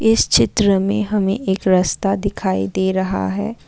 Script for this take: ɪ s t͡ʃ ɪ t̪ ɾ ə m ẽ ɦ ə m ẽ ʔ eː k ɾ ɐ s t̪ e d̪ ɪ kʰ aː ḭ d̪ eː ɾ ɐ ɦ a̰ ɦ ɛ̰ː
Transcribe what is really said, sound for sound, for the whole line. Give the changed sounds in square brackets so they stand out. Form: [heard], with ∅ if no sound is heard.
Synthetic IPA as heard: ɪ s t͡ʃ ɪ t̪ ɾ ə m ẽ ɦ [ɐ] m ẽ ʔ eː k ɾ ɐ s t̪ [a] d̪ ɪ kʰ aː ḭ d̪ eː ɾ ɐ ɦ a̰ ɦ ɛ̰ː